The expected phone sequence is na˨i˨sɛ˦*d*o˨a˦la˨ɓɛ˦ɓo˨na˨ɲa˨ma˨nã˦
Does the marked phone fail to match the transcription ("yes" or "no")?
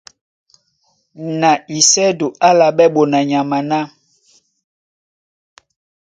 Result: no